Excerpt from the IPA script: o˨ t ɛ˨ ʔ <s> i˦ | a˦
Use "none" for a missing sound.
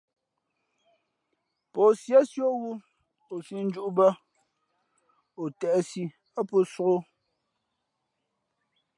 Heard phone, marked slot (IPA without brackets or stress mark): s